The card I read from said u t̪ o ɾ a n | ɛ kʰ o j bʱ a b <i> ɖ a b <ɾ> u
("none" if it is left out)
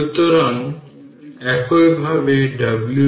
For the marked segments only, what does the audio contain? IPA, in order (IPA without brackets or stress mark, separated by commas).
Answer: e, l